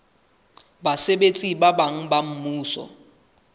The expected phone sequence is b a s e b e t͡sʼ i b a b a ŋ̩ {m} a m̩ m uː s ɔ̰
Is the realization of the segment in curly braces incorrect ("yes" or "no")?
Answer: yes